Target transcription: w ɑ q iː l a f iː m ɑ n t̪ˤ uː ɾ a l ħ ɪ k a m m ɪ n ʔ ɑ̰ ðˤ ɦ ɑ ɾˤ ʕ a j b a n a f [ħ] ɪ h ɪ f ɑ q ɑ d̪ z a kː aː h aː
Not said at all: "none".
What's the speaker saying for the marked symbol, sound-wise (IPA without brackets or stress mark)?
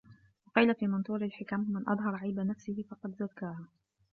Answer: s